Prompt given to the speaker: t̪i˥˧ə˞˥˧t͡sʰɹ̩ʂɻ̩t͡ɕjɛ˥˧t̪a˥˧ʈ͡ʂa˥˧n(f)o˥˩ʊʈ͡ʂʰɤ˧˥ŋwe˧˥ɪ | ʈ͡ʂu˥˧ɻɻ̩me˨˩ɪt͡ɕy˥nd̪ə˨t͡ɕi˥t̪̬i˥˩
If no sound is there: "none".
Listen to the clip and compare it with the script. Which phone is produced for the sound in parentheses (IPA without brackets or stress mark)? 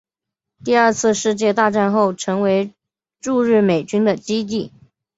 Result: x